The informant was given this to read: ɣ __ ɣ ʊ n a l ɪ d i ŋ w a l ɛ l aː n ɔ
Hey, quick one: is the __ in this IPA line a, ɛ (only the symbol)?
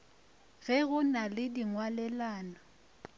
ɛ